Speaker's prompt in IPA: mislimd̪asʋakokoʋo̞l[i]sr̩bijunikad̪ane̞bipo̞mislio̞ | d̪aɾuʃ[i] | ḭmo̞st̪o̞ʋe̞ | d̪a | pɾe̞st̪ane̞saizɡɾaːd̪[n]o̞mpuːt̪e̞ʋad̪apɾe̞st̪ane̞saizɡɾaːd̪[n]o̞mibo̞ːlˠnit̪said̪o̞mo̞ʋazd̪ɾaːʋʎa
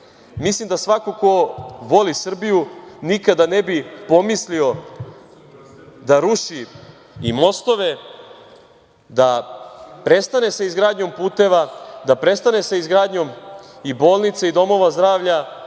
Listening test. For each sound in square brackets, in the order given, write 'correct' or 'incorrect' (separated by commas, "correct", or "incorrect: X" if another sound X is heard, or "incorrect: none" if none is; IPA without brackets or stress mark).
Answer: correct, correct, incorrect: ɲ, incorrect: ɲ